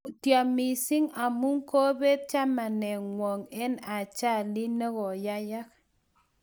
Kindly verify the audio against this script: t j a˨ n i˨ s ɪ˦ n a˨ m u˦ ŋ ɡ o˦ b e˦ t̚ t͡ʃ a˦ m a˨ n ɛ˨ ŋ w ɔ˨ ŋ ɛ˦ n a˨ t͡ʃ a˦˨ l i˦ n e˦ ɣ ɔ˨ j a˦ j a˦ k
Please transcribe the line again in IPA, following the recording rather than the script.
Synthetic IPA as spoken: t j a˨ m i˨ s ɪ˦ ŋ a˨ m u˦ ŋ k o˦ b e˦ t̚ t͡ʃ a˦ m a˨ n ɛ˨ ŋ w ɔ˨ ŋ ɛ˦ n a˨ t͡ʃ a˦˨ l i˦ n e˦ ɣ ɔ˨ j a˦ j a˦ k